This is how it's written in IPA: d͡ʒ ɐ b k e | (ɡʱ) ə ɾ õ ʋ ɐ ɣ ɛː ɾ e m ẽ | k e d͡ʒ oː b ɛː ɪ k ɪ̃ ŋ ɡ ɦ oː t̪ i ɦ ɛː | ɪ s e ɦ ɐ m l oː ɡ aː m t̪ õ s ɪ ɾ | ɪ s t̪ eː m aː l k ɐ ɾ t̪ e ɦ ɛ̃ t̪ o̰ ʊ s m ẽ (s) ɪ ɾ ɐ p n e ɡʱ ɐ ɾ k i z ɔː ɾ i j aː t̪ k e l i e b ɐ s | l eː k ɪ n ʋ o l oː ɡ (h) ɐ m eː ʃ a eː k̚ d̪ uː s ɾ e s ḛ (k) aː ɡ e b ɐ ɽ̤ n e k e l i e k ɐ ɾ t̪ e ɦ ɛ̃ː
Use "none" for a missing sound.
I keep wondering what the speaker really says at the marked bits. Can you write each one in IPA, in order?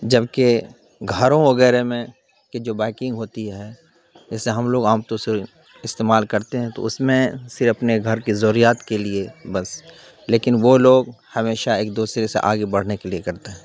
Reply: ɡʱ, s, h, ʔ

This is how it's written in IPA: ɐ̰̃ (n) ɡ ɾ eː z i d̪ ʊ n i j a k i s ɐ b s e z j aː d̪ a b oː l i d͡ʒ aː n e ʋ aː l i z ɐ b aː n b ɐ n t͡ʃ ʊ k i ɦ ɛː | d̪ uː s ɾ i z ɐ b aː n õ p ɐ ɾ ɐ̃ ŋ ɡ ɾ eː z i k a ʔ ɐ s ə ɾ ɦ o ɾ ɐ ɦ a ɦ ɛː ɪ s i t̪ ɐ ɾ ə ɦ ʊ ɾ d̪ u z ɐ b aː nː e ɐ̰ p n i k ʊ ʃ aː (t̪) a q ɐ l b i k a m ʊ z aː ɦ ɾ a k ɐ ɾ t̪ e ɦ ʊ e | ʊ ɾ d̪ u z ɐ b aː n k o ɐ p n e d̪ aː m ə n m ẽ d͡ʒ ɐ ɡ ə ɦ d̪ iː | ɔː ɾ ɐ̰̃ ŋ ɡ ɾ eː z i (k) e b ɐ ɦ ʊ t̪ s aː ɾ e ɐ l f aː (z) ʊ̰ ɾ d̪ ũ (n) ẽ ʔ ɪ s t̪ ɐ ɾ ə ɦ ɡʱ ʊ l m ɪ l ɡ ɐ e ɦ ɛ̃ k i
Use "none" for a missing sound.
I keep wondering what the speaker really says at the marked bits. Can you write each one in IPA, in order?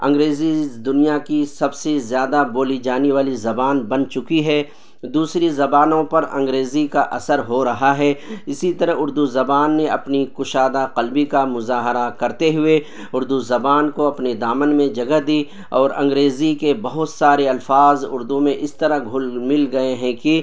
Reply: ŋ, d̪, k, z, m

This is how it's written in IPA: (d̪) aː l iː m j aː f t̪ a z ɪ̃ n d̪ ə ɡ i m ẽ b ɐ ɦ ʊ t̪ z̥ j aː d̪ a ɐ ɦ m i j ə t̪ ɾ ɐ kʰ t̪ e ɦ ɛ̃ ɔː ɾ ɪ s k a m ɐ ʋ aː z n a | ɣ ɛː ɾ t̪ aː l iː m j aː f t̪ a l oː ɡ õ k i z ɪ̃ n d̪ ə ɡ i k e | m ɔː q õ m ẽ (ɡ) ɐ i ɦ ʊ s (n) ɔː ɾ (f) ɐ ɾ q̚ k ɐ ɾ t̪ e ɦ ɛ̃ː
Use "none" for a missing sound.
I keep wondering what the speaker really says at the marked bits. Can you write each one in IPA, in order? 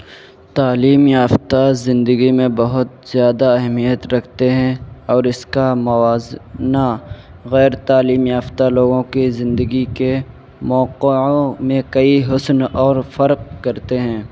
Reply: t̪, k, n, f

